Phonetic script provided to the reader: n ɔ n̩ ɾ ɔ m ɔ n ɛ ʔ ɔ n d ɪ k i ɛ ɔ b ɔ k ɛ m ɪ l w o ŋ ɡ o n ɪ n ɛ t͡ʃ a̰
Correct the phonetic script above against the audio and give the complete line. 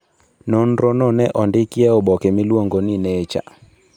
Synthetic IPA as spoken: n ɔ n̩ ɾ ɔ n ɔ n ɛ ʔ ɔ n d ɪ k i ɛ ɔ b ɔ k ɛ m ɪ l w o ŋ ɡ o n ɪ n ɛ t͡ʃ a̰